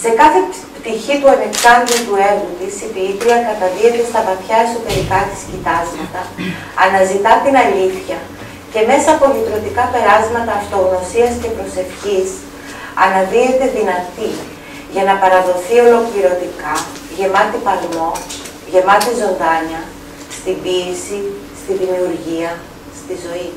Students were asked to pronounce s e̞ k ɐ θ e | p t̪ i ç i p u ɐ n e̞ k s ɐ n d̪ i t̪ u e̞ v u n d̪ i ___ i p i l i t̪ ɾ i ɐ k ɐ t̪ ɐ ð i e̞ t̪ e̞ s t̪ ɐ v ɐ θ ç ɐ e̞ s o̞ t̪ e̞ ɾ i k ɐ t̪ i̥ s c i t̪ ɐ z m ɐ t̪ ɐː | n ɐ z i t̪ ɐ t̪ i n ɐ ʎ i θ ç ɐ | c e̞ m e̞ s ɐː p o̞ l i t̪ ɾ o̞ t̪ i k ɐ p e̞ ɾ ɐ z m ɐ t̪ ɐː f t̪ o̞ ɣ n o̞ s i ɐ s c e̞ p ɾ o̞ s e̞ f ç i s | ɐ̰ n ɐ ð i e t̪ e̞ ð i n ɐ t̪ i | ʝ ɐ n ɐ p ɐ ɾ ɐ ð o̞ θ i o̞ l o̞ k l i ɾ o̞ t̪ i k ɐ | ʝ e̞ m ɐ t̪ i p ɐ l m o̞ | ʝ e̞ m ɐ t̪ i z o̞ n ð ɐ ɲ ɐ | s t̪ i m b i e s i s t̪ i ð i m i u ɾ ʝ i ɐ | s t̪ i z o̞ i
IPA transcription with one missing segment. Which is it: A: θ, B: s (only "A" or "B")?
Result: B